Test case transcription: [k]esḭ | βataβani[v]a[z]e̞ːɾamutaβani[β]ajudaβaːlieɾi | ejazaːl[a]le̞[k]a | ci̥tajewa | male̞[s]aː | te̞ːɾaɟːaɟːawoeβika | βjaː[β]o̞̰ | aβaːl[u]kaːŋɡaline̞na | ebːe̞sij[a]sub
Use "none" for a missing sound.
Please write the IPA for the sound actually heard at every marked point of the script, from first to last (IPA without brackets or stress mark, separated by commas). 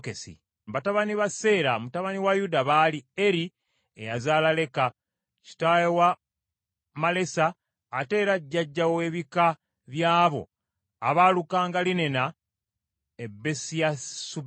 k, β, s, w, a, k, s, β, u, a